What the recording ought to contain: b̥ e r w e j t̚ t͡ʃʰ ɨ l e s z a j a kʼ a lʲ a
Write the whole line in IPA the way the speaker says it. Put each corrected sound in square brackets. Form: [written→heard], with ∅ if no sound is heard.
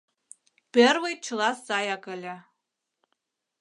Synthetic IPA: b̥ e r w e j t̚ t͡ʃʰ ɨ l [e→a] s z a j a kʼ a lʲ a

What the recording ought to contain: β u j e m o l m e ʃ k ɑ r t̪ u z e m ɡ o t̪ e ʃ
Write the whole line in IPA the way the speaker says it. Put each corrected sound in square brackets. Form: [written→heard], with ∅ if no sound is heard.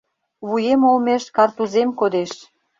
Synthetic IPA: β u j e m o l m e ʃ k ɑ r t̪ u z e m [ɡ→k] o [t̪→d̪] e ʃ

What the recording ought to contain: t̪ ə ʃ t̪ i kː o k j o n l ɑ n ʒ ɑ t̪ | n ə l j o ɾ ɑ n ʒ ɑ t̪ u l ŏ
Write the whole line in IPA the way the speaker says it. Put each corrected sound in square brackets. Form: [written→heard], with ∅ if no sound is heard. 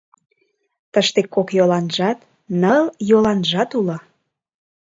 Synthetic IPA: t̪ ə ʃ t̪ [i→e] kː o k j o [n→∅] l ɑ n ʒ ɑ t̪ | n ə l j o [ɾ→l] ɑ n ʒ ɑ t̪ u l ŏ

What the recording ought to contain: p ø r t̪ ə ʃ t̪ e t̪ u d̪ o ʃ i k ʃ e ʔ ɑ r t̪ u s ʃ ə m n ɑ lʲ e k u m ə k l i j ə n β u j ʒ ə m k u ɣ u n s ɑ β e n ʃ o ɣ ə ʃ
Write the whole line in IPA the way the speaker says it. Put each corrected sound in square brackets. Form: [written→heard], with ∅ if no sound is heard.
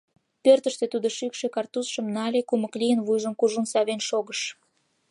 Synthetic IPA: p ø r t̪ ə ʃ t̪ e t̪ u d̪ o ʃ [i→y] k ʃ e [ʔ→k] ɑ r t̪ u s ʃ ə m n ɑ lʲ e k u m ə k l i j ə n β u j ʒ ə m k u [ɣ→ʒ] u n s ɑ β e n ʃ o ɣ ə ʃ

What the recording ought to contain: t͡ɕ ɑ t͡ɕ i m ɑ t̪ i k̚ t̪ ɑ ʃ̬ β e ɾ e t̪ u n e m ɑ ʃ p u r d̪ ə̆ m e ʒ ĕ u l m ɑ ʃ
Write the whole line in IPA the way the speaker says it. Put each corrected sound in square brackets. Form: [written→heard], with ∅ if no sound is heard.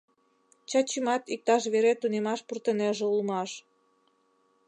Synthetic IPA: t͡ɕ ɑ t͡ɕ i m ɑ t̪ i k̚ t̪ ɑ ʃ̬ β e ɾ e t̪ u n e m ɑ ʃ p u r [d̪→t̪] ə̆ [m→n] e ʒ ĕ u l m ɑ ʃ

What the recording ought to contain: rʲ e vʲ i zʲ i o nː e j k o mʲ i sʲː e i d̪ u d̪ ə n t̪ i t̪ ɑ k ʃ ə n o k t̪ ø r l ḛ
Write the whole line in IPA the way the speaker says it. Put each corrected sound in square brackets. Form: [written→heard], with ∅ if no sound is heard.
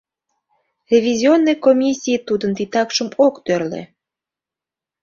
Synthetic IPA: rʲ e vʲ i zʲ i o nː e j k o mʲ i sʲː [e→i] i [d̪→t̪] u d̪ ə n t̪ i t̪ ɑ k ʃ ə [n→m] o k t̪ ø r l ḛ

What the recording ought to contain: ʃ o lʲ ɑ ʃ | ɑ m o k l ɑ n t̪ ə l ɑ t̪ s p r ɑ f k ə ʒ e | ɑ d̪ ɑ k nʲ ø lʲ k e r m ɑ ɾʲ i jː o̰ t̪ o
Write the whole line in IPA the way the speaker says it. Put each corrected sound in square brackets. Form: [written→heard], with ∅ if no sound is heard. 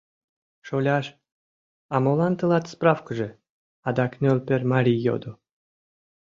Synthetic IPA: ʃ o lʲ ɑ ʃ | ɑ m o [k→∅] l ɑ n t̪ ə l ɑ t̪ s p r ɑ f k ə ʒ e | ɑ d̪ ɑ k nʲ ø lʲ [k→p] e r m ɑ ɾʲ i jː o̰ [t̪→d̪] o

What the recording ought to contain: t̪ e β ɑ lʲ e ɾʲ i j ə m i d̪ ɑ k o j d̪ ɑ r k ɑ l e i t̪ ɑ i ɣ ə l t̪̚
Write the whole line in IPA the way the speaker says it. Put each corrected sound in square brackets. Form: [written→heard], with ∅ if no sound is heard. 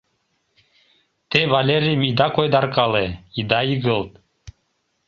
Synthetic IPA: t̪ e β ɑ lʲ e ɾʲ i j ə m i d̪ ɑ k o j d̪ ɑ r k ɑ l e i [t̪→d̪] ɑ i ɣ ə l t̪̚

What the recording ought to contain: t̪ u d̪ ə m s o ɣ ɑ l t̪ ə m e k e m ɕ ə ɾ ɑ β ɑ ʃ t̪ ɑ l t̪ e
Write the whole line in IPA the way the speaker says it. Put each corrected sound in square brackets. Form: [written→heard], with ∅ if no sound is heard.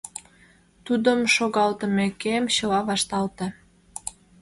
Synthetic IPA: t̪ u d̪ ə m [s→ʃ] o ɣ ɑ l t̪ ə m e k e m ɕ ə [ɾ→l] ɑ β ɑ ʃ t̪ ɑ l t̪ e

